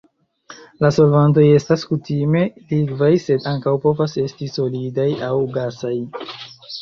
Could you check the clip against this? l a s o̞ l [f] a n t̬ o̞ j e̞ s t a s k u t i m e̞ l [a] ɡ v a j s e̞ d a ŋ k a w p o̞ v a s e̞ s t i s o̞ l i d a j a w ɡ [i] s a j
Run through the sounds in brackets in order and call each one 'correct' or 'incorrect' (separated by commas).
incorrect, incorrect, incorrect